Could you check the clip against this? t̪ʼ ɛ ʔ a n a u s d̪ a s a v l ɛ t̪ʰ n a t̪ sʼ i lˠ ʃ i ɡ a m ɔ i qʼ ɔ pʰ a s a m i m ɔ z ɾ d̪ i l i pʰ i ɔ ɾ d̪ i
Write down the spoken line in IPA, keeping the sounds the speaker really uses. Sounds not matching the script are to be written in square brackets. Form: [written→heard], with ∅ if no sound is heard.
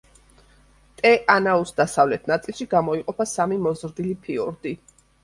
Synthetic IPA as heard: t̪ʼ ɛ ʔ a n a u s d̪ a s a v l ɛ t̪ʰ n a t̪ sʼ i lˠ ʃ i ɡ a m ɔ i qʼ ɔ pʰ a s a m i m ɔ z ɾ d̪ i l i pʰ i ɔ ɾ d̪ i